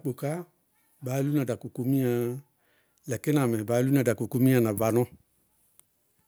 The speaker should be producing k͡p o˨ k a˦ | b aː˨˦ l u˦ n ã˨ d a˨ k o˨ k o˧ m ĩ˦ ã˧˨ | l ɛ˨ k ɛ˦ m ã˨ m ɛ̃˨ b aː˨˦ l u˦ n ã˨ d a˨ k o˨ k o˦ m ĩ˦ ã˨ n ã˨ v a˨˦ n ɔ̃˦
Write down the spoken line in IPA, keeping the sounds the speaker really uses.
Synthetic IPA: k͡p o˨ k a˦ | b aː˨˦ l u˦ n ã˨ d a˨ k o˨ k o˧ m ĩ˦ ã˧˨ | l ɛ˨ k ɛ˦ n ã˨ m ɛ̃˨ b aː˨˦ l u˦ n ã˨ d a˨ k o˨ k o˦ m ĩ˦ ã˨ n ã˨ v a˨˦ n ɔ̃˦